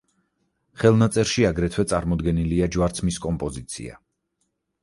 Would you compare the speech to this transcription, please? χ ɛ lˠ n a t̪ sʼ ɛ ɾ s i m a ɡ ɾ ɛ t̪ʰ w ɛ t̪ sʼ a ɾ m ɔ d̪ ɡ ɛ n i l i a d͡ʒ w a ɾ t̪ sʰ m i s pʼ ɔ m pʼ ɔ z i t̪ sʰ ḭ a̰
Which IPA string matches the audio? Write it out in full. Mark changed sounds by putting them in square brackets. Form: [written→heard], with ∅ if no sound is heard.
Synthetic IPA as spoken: χ ɛ lˠ n a t̪ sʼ ɛ ɾ [s→ʃ] i [m→∅] a ɡ ɾ ɛ t̪ʰ w ɛ t̪ sʼ a ɾ m ɔ d̪ ɡ ɛ n i l i a d͡ʒ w a ɾ t̪ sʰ m i s [pʼ→kʼ] ɔ m pʼ ɔ z i t̪ sʰ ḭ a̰